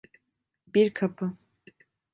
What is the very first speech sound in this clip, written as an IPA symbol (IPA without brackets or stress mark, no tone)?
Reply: b